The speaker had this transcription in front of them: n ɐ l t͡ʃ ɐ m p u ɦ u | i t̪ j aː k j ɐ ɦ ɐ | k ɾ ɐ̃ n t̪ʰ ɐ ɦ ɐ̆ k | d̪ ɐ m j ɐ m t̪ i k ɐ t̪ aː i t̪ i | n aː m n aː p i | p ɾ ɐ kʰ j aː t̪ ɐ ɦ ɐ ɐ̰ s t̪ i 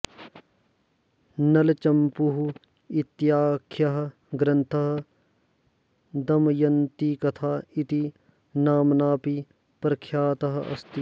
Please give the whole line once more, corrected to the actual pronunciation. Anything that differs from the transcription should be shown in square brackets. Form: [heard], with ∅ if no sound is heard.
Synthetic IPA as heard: n ɐ l t͡ʃ ɐ m p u ɦ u | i t̪ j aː [kʰ] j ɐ ɦ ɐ | [ɡ] ɾ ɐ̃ n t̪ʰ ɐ ɦ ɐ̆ [∅] | d̪ ɐ m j ɐ [n] t̪ i k ɐ [t̪ʰ] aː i t̪ i | n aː m n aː p i | p ɾ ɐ kʰ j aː t̪ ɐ ɦ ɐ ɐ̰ s t̪ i